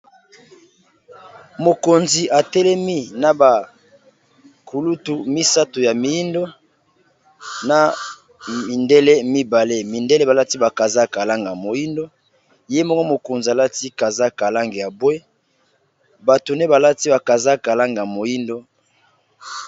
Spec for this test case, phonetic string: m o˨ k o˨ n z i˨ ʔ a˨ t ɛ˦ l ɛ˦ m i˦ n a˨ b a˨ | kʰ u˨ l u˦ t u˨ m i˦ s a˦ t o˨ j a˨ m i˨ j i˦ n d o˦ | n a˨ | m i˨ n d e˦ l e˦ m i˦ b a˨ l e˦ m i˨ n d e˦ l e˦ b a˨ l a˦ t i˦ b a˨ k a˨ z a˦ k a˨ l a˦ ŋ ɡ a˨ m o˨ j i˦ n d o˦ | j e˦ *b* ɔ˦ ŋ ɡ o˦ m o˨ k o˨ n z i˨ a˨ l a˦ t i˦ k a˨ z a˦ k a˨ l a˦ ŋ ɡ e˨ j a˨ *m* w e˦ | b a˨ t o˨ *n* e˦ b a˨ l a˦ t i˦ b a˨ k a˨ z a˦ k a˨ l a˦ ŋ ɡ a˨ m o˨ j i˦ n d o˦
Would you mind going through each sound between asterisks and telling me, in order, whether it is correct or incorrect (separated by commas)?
incorrect, incorrect, correct